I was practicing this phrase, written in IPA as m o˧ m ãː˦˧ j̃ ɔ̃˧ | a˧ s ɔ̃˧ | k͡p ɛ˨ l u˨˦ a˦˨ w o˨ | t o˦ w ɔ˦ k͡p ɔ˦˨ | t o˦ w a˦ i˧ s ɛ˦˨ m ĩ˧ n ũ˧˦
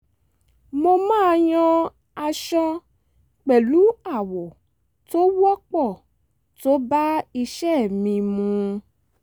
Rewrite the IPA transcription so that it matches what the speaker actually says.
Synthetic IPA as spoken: m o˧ m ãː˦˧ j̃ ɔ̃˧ | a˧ ʃ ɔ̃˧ | k͡p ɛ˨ l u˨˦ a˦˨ w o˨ | t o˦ w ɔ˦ k͡p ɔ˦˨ | t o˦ b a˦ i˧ ʃ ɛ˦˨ m ĩ˧ m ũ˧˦